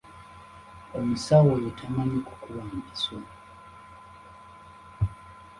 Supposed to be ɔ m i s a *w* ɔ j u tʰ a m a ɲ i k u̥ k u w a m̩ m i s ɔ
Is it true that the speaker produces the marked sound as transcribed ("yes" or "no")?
yes